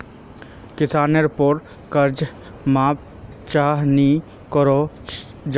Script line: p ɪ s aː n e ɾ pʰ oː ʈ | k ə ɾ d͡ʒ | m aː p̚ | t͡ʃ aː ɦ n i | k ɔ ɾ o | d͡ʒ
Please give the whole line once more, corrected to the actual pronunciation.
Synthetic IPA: k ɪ s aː n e ɾ p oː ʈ | k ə ɾ d͡ʒ | m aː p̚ | t͡ʃ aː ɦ n i | k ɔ ɾ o | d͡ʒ